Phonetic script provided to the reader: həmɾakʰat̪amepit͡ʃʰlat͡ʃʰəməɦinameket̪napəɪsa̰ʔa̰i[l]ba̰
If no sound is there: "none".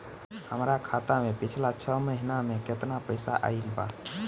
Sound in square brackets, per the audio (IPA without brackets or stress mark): l